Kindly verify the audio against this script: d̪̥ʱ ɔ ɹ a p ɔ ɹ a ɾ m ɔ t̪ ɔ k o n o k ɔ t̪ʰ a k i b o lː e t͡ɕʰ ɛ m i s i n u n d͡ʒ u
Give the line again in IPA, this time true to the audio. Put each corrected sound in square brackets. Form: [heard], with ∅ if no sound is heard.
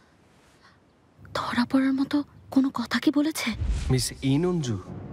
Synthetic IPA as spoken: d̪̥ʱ ɔ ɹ a p ɔ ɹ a [ɹ] m ɔ t̪ ɔ k o n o k ɔ t̪ʰ a k i b o [l] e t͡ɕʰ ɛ m i s i n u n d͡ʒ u